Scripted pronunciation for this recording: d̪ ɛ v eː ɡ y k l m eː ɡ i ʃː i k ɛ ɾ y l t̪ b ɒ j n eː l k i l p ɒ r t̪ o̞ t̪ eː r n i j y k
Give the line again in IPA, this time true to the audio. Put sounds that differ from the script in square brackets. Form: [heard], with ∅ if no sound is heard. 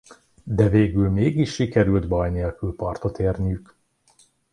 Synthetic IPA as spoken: d̪ ɛ v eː ɡ y [∅] l m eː ɡ i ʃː i k ɛ ɾ y l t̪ b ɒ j n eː l k [y] l p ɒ r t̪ o̞ t̪ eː r n i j y k